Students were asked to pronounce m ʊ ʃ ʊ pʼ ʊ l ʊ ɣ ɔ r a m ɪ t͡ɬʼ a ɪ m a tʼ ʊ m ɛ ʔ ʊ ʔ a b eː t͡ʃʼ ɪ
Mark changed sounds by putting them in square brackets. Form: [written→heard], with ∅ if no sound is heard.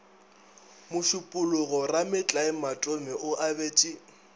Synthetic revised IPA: m ʊ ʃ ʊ pʼ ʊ l ʊ ɣ ɔ r a m ɪ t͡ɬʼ a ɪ m a tʼ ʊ m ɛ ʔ ʊ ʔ a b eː t͡ʃʼ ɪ